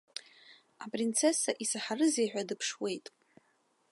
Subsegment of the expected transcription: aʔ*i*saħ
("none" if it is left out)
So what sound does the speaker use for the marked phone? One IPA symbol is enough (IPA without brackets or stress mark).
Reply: i